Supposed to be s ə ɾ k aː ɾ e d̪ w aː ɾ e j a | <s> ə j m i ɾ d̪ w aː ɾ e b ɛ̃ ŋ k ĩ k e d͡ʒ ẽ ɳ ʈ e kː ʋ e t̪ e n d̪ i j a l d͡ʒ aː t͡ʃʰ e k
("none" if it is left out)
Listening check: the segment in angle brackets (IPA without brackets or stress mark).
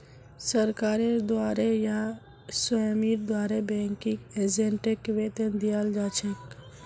s